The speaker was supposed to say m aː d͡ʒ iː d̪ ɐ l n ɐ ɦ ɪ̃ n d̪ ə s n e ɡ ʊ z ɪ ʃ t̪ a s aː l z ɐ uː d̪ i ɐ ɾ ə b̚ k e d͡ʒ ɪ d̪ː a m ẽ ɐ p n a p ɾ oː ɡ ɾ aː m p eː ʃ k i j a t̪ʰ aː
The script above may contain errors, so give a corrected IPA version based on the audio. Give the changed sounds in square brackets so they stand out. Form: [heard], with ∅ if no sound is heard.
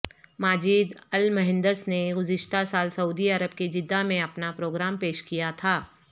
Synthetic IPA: m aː d͡ʒ iː d̪ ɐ l [m] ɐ ɦ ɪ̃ n d̪ ə s n e ɡ ʊ z ɪ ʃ t̪ a s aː l [s] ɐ uː d̪ i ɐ ɾ ə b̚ k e d͡ʒ ɪ d̪ː a m ẽ ɐ p n a p ɾ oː ɡ ɾ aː m p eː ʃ k i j a t̪ʰ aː